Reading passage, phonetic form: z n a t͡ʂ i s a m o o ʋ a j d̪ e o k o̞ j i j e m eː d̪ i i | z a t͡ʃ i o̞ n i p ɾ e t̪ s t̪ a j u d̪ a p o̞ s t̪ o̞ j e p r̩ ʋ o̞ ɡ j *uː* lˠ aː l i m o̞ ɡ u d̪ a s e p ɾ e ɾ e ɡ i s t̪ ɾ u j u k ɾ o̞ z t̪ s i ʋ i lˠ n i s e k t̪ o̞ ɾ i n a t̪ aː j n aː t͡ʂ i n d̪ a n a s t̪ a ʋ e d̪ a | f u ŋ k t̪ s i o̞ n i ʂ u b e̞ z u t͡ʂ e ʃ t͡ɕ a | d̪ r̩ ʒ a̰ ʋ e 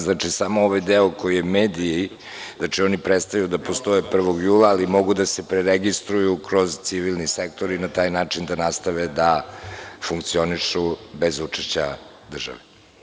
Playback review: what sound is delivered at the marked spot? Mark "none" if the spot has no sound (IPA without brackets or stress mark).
uː